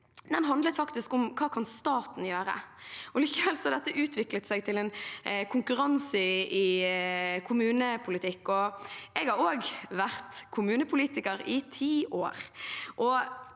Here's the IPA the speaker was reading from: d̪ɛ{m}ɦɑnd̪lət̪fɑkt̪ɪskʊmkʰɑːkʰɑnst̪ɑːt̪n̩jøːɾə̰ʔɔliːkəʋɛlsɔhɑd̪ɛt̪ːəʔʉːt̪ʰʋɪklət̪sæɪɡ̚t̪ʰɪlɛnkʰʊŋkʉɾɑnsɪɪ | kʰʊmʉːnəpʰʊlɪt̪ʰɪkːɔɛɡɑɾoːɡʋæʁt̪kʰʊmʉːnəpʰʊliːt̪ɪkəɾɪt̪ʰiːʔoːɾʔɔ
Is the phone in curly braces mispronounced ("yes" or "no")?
yes